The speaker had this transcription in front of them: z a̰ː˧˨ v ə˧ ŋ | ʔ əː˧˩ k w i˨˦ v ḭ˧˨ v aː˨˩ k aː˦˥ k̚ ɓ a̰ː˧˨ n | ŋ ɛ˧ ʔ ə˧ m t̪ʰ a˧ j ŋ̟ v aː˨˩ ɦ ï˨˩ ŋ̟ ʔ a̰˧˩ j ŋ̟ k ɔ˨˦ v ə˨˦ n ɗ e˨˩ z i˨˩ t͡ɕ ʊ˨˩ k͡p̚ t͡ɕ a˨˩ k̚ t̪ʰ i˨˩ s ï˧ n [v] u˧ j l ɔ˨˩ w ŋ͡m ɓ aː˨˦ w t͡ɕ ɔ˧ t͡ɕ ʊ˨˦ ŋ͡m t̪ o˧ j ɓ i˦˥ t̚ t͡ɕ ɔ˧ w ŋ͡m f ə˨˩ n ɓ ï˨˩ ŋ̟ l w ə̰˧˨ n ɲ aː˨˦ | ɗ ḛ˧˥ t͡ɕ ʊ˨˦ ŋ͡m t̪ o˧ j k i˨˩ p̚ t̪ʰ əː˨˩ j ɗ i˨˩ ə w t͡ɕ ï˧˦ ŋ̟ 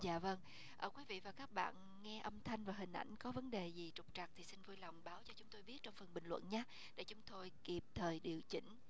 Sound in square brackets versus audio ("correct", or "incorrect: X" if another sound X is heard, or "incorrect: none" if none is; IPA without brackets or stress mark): correct